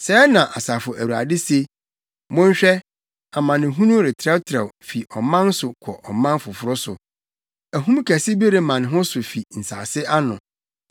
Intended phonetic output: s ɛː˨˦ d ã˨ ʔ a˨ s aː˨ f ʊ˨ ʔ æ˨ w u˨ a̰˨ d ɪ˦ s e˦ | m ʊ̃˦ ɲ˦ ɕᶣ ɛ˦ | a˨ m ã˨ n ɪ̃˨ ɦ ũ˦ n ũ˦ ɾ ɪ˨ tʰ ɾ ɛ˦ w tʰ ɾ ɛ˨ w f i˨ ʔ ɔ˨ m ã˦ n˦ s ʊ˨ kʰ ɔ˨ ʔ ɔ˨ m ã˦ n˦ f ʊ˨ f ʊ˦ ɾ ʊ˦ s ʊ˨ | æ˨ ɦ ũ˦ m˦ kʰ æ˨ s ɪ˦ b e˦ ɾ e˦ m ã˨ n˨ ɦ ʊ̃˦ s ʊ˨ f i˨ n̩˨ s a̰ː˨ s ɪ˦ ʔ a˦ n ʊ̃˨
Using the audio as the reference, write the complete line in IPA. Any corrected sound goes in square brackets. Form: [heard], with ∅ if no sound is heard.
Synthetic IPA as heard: s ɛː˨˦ [n] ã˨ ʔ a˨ s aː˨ f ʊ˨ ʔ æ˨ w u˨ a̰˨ d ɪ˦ s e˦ | m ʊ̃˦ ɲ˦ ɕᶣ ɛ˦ | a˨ m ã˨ n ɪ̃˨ ɦ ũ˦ n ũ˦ ɾ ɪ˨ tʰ ɾ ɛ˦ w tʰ ɾ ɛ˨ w f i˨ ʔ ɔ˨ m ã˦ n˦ s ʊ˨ kʰ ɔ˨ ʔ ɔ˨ m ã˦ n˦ f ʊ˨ f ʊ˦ ɾ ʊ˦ s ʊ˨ | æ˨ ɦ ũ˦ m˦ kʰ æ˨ s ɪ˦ b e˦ ɾ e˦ m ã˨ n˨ ɦ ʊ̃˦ s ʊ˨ f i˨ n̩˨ s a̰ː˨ s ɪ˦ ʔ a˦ n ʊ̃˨